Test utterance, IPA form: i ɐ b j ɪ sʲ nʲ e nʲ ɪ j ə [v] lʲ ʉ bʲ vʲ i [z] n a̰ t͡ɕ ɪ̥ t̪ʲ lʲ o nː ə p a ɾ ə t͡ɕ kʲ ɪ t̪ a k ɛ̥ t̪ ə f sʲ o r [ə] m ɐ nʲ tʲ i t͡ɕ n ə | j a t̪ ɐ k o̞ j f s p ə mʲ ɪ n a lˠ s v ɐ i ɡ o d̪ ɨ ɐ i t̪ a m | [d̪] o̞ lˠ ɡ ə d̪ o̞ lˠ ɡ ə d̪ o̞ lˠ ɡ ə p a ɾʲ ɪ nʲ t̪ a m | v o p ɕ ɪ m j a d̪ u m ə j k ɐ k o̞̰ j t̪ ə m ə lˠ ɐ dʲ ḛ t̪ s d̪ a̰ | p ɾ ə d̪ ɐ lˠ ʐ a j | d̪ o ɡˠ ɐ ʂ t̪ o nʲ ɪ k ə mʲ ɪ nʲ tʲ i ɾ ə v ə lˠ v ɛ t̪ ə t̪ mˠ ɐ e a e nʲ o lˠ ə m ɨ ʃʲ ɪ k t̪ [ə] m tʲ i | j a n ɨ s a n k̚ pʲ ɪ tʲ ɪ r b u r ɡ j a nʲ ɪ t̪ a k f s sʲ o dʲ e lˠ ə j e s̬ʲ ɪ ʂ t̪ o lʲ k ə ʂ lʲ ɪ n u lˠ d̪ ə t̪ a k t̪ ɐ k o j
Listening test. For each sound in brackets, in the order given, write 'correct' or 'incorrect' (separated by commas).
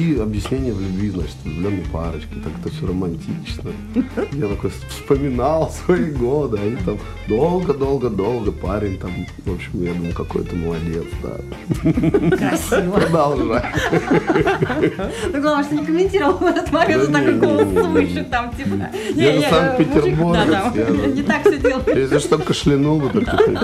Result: correct, correct, correct, correct, incorrect